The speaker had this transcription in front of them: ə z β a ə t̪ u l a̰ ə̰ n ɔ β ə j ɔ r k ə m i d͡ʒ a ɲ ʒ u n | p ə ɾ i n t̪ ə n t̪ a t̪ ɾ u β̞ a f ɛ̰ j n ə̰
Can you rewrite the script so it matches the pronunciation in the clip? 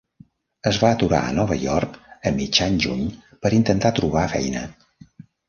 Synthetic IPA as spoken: ə z β a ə t̪ u ɾ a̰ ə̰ n ɔ β ə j ɔ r k ə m i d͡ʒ a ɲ ʒ u ɲ | p ə ɾ i n t̪ ə n t̪ a t̪ ɾ u β̞ a f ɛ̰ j n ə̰